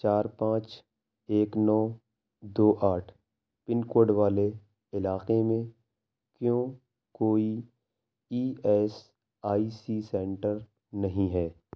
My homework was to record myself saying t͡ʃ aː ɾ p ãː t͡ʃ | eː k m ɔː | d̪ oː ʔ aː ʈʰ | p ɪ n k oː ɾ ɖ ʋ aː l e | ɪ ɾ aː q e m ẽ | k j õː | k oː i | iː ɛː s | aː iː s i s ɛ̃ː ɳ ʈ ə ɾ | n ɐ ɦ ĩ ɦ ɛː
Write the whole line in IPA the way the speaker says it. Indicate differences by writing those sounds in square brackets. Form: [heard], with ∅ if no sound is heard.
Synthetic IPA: t͡ʃ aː ɾ p ãː t͡ʃ | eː k [n] ɔː | d̪ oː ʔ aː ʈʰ | p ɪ n k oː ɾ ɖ ʋ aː l e | ɪ [l] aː q e m ẽ | k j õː | k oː i | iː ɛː s | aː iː s i s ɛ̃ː ɳ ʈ ə ɾ | n ɐ ɦ ĩ ɦ ɛː